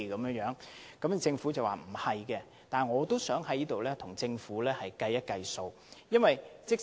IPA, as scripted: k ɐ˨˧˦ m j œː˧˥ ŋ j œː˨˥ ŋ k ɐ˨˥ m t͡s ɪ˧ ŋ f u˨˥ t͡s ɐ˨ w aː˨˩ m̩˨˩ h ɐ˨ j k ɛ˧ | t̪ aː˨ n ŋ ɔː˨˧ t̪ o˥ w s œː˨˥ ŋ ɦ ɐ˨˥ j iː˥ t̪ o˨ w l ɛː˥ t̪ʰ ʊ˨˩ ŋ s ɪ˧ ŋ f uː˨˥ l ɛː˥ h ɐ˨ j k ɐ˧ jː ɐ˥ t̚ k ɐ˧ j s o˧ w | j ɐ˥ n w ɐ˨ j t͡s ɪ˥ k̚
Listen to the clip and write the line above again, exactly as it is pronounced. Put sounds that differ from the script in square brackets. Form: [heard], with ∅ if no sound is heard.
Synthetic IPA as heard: k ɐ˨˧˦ m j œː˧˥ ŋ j œː˨˥ ŋ k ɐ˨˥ m t͡s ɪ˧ ŋ f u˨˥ t͡s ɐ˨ w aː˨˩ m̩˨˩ h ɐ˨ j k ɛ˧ | t̪ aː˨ n ŋ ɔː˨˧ t̪ o˥ w s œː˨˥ ŋ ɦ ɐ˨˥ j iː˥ t̪ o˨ w l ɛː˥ t̪ʰ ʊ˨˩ ŋ [t͡s] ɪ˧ ŋ f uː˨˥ l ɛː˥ h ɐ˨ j k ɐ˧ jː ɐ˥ t̚ k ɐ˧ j s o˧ w | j ɐ˥ n w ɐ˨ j t͡s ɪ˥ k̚

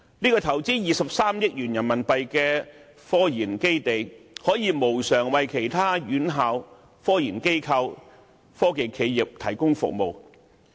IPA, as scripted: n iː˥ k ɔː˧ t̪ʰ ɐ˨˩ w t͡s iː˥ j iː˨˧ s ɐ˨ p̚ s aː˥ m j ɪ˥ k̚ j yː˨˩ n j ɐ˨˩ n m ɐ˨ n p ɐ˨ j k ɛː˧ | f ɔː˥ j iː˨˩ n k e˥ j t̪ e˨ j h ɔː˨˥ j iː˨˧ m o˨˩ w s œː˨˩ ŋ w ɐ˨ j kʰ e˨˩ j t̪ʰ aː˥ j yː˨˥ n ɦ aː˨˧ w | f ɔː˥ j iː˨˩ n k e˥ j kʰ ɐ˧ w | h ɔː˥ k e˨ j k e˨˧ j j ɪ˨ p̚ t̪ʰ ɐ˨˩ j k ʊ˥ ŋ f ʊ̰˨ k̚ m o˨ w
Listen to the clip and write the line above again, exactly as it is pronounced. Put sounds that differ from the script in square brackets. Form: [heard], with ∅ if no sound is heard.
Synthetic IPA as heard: n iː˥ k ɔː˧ t̪ʰ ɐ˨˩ w t͡s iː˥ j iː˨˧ s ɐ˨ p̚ s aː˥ m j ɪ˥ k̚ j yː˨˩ n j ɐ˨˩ n m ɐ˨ n p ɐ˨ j k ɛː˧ | f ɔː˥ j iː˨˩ n k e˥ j t̪ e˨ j h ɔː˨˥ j iː˨˧ m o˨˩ w s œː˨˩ ŋ w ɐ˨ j kʰ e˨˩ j t̪ʰ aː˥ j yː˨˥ n ɦ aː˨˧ w | f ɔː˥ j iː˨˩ n k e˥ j kʰ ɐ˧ w | [f] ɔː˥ k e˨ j [kʰ] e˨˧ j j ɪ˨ p̚ t̪ʰ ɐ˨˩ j k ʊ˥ ŋ f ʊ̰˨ k̚ m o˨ w

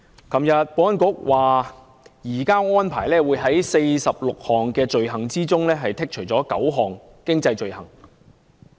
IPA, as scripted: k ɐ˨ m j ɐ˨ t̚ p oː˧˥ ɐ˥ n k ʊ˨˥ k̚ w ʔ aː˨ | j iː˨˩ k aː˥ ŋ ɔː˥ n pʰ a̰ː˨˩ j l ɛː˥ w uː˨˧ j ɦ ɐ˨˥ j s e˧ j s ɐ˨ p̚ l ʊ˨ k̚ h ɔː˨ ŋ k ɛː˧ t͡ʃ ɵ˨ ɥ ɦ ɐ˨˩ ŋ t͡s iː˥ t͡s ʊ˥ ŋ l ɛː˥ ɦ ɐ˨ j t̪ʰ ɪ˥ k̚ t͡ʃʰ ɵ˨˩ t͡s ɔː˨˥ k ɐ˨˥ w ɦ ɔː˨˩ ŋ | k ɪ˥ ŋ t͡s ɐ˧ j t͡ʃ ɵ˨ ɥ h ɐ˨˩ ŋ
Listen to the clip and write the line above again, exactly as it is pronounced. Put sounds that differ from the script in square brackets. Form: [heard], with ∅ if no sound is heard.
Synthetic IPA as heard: k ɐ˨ m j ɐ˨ t̚ p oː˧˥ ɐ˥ n k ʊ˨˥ k̚ w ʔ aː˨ | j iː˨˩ k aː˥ ŋ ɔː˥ n pʰ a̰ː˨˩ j l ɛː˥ w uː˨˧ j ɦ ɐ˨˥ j s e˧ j s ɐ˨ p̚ l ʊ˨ k̚ h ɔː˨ ŋ k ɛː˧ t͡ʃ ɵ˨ ɥ ɦ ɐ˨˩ ŋ t͡s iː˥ t͡s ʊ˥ ŋ l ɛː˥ ɦ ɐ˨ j t̪ʰ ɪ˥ k̚ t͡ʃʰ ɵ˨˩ t͡s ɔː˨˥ k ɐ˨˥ w ɦ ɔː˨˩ ŋ | k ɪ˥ ŋ t͡s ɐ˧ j t͡ʃ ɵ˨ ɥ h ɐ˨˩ ŋ

